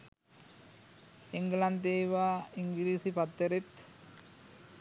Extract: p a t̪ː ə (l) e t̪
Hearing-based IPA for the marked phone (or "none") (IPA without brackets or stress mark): ɾ